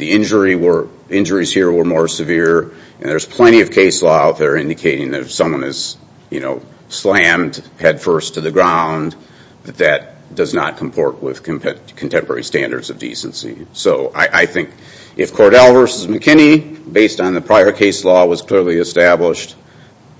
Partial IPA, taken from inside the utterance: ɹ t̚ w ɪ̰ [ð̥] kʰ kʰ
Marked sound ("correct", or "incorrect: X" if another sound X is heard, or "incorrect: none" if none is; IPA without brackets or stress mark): correct